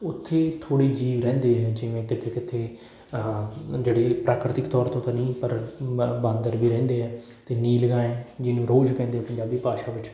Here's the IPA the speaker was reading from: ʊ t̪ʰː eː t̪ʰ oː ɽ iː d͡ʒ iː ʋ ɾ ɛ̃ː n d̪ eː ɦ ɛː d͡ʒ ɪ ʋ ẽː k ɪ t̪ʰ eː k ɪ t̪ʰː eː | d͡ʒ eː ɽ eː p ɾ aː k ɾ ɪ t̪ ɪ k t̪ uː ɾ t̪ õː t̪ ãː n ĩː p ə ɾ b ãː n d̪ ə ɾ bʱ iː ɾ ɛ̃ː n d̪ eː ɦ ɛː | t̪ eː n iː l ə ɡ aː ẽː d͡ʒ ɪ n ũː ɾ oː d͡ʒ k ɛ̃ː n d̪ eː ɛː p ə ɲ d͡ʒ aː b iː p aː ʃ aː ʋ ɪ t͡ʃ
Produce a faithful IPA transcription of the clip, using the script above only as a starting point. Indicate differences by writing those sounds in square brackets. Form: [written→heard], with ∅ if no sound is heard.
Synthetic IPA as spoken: ʊ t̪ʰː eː t̪ʰ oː ɽ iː d͡ʒ iː ʋ ɾ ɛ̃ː n d̪ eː ɦ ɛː d͡ʒ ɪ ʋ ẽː k ɪ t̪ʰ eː k ɪ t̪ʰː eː | d͡ʒ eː ɽ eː p ɾ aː k ɾ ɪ t̪ ɪ k t̪ [uː→ɔː] ɾ t̪ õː t̪ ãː n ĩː p ə ɾ b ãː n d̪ ə ɾ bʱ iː ɾ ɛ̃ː n d̪ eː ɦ ɛː | t̪ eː n iː l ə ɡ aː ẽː d͡ʒ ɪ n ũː ɾ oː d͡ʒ k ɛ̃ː n d̪ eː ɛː p ə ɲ d͡ʒ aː b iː p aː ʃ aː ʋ ɪ t͡ʃ

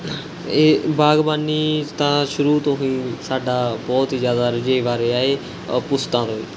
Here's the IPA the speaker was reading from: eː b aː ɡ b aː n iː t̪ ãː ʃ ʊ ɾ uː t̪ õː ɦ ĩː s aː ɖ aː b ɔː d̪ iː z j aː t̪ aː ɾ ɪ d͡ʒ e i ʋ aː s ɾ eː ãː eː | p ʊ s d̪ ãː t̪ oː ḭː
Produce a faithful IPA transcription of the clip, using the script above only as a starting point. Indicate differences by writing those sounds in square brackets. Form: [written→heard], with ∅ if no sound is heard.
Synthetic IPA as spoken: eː b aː ɡ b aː n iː t̪ ãː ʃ ʊ ɾ uː t̪ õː ɦ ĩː s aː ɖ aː b ɔː [d̪→t̪] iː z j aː [t̪→d̪] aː ɾ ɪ d͡ʒ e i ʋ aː [s→∅] ɾ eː [ãː→aː] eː | p ʊ s [d̪→t̪] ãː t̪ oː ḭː

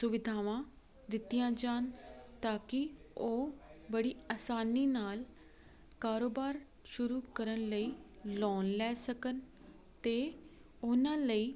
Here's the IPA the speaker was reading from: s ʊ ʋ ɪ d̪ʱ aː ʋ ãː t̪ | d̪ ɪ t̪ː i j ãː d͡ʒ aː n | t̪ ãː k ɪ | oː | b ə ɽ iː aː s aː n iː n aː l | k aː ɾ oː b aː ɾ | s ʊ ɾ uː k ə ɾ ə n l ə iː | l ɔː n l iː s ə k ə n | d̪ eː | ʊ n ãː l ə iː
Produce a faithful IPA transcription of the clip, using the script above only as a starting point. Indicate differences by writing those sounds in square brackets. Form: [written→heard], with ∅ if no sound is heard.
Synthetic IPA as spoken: s ʊ ʋ ɪ d̪ʱ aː ʋ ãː [t̪→∅] | d̪ ɪ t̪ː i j ãː d͡ʒ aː n | t̪ [ãː→aː] k ɪ | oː | b ə ɽ iː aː s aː n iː n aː l | k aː ɾ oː b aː ɾ | [s→ʃ] ʊ ɾ uː k ə ɾ ə n l ə iː | l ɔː n l [iː→ɛː] s ə k ə n | [d̪→t̪] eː | ʊ n ãː l ə iː

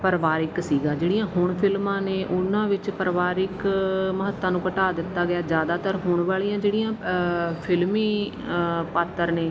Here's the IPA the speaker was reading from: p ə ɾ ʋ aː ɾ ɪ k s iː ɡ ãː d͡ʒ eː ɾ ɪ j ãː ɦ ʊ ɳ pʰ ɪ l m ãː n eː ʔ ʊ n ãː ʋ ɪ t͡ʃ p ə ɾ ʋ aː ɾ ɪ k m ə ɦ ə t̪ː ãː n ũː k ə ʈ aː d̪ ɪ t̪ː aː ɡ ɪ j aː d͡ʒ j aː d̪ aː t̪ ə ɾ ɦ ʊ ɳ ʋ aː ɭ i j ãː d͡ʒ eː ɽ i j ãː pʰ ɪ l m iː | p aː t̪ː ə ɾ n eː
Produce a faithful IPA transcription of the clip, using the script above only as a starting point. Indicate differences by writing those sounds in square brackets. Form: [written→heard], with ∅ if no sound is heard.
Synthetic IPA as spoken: p ə ɾ ʋ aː ɾ ɪ k s iː ɡ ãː d͡ʒ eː [ɾ→ɽ] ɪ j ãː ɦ ʊ ɳ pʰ ɪ l m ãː n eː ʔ ʊ n ãː ʋ ɪ t͡ʃ p ə ɾ ʋ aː ɾ ɪ k m ə ɦ ə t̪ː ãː n ũː k ə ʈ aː d̪ ɪ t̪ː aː ɡ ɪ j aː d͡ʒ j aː d̪ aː t̪ ə ɾ ɦ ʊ ɳ ʋ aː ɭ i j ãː d͡ʒ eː ɽ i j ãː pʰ ɪ l m iː | p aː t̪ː ə ɾ n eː

